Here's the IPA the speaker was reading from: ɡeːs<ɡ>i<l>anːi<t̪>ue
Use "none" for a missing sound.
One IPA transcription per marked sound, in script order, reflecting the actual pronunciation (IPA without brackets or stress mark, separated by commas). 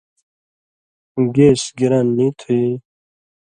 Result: ɡ, ɾ, t̪ʰ